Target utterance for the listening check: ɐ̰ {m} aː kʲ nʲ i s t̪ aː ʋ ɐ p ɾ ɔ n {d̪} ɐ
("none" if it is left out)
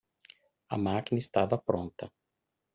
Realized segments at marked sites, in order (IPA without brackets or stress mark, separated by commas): m, t̪